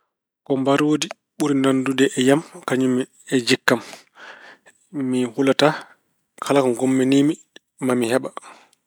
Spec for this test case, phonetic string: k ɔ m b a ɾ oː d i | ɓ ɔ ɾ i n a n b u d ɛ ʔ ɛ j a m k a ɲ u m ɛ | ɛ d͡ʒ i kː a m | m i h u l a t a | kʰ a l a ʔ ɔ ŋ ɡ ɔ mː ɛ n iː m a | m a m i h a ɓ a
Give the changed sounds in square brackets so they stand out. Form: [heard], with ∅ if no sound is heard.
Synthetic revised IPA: k ɔ m b a ɾ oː d i | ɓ [u] ɾ i n a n [d] u d ɛ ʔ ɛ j a m k a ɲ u m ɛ | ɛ d͡ʒ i kː a m | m i h u l a t a | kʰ a l a [k] ɔ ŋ ɡ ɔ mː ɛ n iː m [i] | m a m i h [ɛ] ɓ a